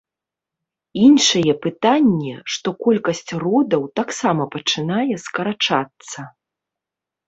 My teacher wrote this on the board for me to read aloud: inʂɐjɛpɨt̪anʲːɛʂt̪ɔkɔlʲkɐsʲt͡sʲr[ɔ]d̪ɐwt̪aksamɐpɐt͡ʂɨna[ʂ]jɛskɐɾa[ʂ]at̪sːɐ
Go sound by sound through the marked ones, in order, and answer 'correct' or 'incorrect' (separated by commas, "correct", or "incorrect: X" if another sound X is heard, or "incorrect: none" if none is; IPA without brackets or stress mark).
correct, incorrect: none, incorrect: t͡ʂ